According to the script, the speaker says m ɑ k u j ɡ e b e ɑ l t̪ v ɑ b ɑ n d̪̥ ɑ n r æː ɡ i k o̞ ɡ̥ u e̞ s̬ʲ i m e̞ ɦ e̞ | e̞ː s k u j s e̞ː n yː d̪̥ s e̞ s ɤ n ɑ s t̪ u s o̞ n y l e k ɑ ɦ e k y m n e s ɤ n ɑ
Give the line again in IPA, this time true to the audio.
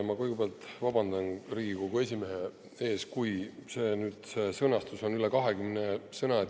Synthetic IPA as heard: m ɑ k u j ɡ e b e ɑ l t̪ v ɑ b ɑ n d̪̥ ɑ n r iː ɡ i k o̞ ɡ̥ u e̞ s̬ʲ i m e̞ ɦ e̞ | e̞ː s k u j s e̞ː n yː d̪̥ s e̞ s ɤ n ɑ s t̪ u s o̞ n y l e k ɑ ɦ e k y m n e s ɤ n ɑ